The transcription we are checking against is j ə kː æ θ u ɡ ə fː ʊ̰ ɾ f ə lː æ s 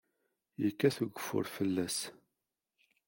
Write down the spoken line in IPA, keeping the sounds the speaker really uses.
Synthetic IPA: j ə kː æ θ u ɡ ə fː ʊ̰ ɾ f ə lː æ s